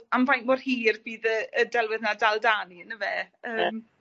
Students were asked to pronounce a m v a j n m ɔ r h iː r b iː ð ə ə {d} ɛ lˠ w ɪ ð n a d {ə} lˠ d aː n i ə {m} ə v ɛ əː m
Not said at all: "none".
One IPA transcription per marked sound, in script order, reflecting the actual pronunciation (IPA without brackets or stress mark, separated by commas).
d, a, n